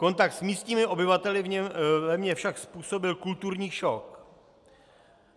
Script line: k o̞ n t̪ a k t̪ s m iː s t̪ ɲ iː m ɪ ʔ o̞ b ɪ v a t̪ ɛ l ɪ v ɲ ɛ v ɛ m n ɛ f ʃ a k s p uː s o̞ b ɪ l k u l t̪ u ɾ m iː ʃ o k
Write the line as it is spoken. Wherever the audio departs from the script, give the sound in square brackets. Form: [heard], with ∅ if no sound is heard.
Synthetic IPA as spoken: k o̞ n t̪ a k t̪ s m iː s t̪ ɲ iː m ɪ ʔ o̞ b ɪ v a t̪ ɛ l ɪ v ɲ ɛ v ɛ m [ɲ] ɛ f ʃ a k s p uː s o̞ b ɪ l k u l t̪ u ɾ [ɲ] iː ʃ o k

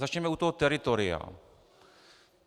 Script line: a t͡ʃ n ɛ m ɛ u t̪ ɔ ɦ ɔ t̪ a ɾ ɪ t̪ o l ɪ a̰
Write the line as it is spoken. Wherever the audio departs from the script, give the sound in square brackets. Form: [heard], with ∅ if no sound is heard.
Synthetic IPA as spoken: a t͡ʃ [ɲ] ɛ m ɛ u t̪ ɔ ɦ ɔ t̪ [ɛ] ɾ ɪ t̪ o [ɾ] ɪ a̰

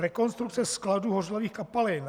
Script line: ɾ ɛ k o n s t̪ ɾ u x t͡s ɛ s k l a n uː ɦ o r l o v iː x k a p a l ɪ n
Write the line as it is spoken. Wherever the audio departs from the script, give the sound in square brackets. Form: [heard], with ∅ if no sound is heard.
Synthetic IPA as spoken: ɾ ɛ k o n s t̪ ɾ u [k] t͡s ɛ s k l a [d] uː ɦ o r l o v iː x k a p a l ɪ n

